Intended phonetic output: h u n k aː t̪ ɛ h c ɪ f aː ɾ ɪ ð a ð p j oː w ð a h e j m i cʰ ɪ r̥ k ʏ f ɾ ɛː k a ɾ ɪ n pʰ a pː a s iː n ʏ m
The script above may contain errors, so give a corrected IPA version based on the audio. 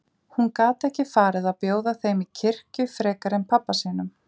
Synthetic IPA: h u n k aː t̪ ɛ h c ɪ f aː ɾ ɪ ð a ð p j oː w ð a θ e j m i cʰ ɪ r̥ c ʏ f ɾ ɛː k a ɾ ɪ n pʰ a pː a s iː n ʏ m